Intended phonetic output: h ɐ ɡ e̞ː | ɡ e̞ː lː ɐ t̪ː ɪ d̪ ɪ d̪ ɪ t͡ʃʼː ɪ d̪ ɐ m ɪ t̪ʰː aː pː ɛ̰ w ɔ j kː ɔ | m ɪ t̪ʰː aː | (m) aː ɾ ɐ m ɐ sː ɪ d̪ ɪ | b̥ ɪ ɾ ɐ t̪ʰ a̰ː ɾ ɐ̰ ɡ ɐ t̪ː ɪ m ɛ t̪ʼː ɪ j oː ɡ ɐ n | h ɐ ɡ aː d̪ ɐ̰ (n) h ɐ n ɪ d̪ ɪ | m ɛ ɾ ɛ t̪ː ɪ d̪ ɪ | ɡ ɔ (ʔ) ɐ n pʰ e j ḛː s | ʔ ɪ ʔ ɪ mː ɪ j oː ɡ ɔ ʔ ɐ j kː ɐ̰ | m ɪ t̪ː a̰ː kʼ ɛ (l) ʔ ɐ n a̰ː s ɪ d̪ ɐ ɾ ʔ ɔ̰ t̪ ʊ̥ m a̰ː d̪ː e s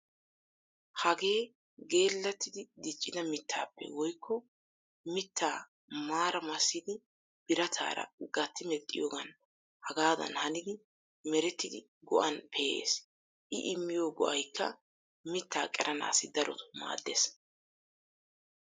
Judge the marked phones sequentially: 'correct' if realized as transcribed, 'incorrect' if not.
correct, correct, correct, incorrect: ɾ

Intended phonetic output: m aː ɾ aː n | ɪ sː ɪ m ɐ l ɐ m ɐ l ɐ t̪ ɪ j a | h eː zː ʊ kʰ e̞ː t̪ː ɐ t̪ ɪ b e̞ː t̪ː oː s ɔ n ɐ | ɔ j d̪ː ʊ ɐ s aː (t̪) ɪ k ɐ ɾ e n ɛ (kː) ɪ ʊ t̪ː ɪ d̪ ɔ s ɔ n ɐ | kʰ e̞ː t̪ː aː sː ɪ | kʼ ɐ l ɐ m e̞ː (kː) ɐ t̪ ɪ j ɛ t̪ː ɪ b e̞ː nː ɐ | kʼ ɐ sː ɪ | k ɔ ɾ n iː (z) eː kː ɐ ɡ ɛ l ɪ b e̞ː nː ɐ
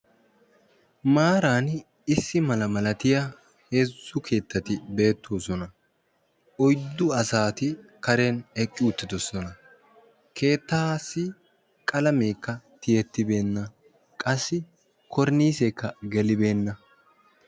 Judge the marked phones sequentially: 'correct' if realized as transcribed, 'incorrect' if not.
correct, incorrect: kʼː, correct, incorrect: s

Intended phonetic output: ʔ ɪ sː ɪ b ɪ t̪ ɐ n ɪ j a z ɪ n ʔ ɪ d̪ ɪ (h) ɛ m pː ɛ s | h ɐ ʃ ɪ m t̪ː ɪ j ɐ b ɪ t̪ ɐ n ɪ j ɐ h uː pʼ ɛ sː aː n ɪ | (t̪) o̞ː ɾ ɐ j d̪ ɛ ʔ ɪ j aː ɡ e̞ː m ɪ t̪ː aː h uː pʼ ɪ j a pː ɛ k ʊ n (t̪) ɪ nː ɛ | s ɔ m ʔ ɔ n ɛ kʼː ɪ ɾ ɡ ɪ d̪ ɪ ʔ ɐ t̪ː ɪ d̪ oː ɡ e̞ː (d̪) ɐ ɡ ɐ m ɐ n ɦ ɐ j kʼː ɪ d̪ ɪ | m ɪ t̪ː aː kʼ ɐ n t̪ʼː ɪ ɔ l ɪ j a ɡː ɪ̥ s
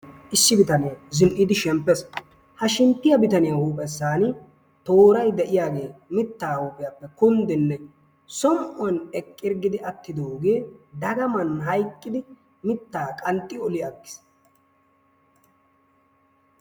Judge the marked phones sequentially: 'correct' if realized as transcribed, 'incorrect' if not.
incorrect: ʃ, correct, incorrect: d̪, correct

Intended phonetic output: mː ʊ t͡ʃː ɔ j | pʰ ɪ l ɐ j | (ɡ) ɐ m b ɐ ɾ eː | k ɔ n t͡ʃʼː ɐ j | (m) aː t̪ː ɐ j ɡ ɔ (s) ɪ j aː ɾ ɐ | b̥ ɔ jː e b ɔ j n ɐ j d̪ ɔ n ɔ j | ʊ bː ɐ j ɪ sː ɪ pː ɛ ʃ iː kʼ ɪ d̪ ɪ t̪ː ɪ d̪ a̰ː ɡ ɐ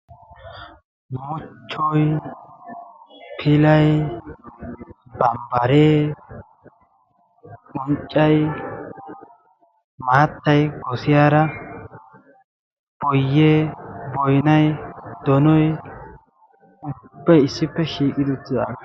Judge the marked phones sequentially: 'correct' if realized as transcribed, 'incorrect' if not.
incorrect: b, correct, correct

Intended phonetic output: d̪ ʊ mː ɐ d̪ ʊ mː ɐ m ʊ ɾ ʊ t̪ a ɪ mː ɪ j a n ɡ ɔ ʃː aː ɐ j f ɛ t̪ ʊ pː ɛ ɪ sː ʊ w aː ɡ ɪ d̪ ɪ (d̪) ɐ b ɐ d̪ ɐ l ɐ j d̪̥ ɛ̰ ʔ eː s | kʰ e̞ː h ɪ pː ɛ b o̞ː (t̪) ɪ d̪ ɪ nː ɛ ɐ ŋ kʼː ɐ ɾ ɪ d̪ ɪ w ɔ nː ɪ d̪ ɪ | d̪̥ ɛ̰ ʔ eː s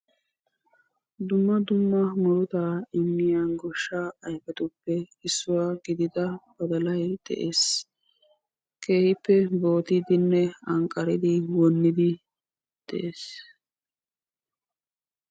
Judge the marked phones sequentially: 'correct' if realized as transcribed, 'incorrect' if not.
correct, correct

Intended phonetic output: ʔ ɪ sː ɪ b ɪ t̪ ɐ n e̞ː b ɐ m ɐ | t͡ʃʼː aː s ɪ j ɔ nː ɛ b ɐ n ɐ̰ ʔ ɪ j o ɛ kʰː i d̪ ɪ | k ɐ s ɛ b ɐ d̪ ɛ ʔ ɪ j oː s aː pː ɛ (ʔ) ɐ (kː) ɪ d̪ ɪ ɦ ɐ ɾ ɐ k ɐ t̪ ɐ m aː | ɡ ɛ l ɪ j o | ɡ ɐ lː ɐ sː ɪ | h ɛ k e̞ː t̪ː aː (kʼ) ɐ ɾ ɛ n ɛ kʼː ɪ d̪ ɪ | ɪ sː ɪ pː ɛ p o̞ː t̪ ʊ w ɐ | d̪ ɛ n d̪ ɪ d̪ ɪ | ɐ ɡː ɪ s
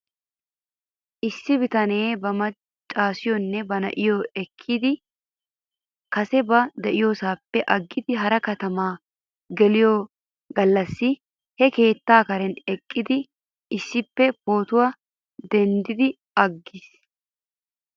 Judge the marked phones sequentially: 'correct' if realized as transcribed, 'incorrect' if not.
correct, incorrect: ɡː, incorrect: k

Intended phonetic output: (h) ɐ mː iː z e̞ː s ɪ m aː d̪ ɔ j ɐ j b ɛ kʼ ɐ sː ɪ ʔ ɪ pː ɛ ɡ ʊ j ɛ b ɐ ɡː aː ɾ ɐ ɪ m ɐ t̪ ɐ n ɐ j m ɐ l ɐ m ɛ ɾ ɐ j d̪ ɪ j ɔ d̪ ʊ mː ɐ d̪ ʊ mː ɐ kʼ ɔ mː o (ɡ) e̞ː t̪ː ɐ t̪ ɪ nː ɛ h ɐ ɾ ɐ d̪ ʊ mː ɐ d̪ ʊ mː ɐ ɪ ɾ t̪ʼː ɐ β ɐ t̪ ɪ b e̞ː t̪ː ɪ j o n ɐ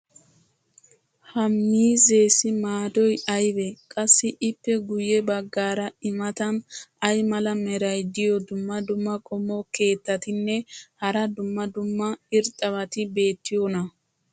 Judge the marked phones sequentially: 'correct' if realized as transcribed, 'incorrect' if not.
correct, incorrect: k

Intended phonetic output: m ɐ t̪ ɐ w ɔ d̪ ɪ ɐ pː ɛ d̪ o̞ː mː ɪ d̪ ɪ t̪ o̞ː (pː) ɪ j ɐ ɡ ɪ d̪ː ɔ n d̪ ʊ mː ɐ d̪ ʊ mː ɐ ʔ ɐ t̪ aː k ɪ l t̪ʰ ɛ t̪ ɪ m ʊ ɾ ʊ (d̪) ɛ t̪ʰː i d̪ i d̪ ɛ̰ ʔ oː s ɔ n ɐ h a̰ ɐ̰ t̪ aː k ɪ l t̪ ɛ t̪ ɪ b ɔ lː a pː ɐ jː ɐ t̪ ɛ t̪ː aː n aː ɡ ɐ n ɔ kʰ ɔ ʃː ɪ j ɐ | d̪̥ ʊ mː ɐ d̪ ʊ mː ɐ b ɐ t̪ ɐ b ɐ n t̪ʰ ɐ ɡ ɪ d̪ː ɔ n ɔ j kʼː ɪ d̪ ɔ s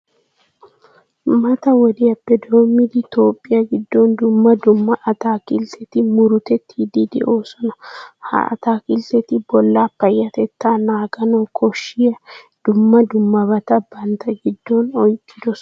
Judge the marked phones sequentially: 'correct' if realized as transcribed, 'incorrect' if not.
incorrect: pʼː, incorrect: t̪

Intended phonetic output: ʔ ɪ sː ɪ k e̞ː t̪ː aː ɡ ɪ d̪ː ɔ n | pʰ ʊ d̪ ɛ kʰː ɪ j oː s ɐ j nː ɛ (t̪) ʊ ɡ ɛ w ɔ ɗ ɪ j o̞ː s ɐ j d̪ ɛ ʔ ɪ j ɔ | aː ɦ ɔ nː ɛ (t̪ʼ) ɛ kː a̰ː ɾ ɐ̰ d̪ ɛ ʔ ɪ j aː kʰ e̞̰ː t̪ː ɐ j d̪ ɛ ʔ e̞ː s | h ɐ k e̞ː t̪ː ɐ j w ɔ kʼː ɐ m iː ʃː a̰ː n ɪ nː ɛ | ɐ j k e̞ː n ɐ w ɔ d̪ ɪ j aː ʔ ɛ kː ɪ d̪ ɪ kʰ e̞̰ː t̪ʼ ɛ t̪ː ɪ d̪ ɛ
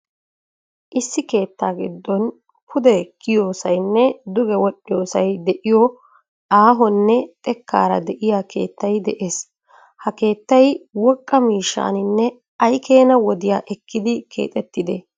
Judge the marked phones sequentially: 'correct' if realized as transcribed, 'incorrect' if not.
incorrect: d̪, correct

